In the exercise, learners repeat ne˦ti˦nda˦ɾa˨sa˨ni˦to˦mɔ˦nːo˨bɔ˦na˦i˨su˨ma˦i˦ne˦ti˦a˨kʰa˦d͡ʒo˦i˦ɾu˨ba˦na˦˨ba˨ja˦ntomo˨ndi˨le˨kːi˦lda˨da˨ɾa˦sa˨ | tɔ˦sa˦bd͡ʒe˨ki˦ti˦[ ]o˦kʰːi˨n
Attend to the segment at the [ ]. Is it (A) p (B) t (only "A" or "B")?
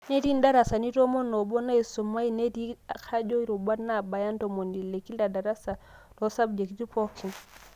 A